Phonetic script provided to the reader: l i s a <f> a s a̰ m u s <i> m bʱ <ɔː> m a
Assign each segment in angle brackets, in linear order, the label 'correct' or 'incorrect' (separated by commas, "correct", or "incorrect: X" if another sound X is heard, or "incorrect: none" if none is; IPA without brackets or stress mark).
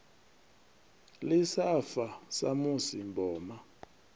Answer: correct, correct, correct